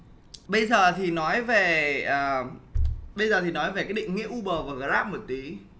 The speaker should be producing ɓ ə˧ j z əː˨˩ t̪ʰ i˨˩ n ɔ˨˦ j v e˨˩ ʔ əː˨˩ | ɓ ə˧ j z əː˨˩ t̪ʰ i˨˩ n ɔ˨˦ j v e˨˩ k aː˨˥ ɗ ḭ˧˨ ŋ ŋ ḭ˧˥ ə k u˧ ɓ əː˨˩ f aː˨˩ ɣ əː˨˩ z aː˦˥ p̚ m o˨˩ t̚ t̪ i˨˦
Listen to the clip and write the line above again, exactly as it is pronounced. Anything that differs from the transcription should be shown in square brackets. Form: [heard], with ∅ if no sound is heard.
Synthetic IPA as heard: ɓ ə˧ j z əː˨˩ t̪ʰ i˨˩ n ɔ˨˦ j v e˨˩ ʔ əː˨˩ | ɓ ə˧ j z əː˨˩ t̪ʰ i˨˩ n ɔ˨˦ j v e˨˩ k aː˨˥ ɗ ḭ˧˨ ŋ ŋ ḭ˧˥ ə [ʔ] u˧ ɓ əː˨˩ [v] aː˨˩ ɣ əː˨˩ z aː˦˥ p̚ m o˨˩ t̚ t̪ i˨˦